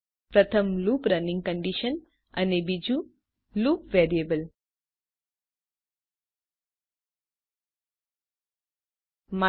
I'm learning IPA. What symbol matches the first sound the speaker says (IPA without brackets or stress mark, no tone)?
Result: p